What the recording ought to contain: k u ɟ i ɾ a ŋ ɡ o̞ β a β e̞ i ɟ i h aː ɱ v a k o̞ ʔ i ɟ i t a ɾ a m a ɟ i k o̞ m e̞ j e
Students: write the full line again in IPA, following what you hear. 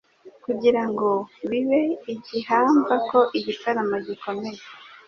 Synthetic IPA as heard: k u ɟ i ɾ a ŋ ɡ o̞ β i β e̞ i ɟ i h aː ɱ v a k o̞ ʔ i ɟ i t a ɾ a m a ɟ i k o̞ m e̞ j e